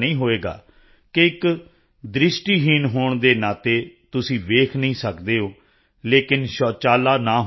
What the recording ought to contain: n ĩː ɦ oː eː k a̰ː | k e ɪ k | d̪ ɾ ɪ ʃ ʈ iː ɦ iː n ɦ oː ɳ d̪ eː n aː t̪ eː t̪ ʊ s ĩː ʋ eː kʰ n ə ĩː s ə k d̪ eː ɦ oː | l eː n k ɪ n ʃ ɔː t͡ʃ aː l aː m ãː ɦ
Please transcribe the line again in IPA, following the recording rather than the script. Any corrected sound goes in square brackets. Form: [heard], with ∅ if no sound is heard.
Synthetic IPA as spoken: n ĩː ɦ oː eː [ɡ] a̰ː | k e ɪ k | d̪ ɾ ɪ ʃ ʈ iː ɦ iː n ɦ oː ɳ d̪ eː n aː t̪ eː t̪ ʊ s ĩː ʋ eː kʰ n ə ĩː s ə k d̪ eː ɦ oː | l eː [∅] k ɪ n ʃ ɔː t͡ʃ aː l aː [n] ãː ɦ